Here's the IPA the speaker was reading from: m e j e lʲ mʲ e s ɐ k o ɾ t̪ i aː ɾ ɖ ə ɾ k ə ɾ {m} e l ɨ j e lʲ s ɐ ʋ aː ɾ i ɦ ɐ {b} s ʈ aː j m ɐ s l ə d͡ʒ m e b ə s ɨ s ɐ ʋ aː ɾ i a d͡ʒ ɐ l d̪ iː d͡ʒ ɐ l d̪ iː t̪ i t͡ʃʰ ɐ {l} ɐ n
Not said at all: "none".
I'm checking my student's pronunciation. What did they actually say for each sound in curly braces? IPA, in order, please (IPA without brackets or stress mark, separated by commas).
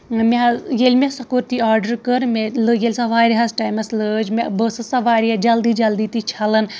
m, none, l